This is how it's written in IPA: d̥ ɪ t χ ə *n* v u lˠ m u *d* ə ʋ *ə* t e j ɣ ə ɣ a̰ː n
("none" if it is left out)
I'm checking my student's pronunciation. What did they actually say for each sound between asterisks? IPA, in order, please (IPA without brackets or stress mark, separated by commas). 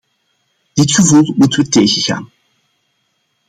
none, t, ə